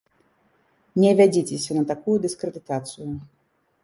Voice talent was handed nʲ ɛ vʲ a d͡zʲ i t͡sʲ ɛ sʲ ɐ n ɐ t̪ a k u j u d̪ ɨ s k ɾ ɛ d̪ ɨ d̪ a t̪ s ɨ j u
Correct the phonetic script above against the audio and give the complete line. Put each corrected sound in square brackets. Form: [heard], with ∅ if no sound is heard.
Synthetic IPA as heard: nʲ ɛ vʲ a d͡zʲ i t͡sʲ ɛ sʲ ɐ n ɐ t̪ a k u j u d̪ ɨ s k ɾ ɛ d̪ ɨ [t̪] a t̪ s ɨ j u